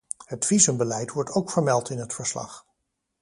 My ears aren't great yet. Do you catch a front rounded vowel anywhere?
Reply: no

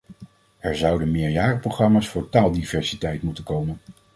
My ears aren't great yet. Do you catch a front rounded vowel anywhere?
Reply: no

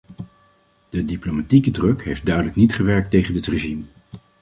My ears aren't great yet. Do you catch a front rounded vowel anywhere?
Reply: yes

